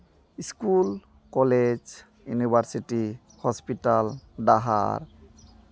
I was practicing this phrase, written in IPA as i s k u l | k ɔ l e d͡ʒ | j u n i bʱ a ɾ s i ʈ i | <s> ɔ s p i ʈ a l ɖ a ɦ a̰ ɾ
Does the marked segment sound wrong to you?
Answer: yes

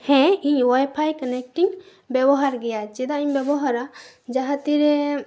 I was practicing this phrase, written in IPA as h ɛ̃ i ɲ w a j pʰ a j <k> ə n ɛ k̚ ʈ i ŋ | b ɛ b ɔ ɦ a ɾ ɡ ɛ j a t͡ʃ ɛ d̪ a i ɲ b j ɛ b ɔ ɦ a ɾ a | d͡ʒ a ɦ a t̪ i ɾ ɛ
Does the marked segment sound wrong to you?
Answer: no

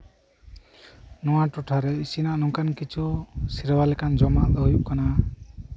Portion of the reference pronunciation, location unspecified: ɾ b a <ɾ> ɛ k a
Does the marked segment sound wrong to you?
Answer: yes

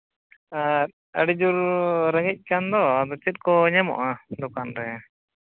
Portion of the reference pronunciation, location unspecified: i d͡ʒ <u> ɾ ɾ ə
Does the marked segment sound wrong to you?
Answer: no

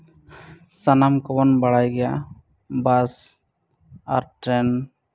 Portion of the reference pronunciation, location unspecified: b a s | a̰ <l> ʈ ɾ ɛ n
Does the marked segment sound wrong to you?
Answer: yes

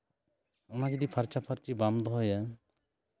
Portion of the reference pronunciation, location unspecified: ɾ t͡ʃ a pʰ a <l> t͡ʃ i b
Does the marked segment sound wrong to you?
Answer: yes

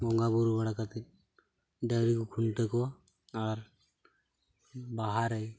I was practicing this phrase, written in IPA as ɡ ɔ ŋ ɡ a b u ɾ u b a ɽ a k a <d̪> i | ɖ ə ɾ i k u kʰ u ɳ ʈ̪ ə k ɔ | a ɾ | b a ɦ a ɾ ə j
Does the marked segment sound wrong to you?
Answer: yes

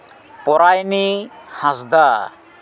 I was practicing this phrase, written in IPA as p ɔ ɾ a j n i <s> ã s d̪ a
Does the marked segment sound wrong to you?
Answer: yes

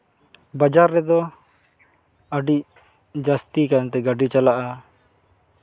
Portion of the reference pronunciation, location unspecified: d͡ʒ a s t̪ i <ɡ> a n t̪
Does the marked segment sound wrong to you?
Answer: yes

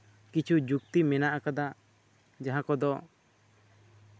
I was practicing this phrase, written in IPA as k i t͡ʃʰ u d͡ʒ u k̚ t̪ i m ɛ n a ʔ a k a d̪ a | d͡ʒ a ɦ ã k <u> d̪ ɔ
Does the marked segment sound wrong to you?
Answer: yes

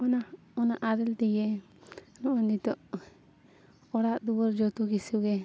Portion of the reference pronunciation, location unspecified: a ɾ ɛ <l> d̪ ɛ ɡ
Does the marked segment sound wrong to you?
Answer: no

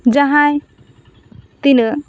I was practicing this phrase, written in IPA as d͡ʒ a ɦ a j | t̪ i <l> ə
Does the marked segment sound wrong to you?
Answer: no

